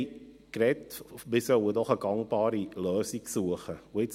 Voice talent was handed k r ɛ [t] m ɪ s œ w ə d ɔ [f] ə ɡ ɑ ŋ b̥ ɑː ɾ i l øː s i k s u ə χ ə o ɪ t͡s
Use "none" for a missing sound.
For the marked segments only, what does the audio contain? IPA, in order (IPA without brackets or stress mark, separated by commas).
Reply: t, χ